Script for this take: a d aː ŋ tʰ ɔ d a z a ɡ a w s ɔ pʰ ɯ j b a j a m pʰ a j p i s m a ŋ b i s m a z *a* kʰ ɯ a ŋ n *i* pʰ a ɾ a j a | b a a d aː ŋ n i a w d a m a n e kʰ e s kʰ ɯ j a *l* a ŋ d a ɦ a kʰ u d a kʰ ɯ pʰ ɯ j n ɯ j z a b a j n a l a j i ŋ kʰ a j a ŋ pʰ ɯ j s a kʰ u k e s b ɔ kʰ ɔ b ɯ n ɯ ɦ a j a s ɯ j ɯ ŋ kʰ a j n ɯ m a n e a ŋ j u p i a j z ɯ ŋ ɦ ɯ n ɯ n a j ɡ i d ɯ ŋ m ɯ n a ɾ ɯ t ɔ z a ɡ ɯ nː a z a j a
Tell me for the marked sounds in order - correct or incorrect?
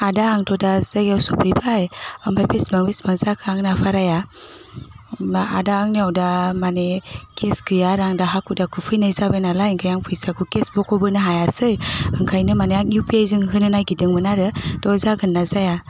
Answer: correct, incorrect: a, incorrect: ɾ

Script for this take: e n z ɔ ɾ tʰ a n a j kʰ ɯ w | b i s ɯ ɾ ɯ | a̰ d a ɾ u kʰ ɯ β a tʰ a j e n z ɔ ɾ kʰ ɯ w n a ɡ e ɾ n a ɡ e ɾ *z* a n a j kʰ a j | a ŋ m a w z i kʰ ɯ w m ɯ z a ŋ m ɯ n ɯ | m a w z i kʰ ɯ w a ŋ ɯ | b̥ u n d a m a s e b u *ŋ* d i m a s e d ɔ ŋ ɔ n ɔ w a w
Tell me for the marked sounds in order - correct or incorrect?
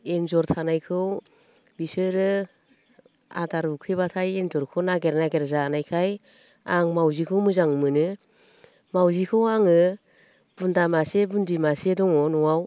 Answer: correct, incorrect: n

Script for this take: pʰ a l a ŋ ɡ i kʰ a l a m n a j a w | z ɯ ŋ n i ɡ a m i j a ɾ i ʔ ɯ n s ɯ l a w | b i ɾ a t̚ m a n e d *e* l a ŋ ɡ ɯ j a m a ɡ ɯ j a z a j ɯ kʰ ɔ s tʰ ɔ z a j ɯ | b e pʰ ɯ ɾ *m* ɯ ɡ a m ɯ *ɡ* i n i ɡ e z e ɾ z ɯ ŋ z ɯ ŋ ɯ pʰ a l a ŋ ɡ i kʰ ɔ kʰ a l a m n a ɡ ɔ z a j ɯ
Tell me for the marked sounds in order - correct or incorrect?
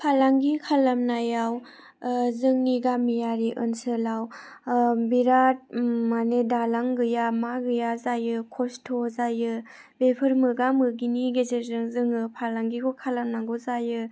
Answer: incorrect: a, correct, correct

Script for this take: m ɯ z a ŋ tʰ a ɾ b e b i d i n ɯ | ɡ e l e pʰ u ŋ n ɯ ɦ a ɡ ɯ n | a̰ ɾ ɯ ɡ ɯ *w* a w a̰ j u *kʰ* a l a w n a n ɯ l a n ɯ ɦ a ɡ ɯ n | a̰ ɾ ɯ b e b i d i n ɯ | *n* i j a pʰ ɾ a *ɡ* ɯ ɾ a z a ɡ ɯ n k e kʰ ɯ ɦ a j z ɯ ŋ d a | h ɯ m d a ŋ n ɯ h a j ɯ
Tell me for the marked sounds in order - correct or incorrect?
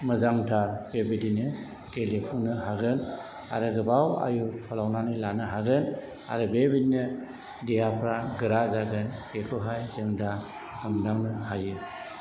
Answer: incorrect: b, incorrect: pʰ, incorrect: d, correct

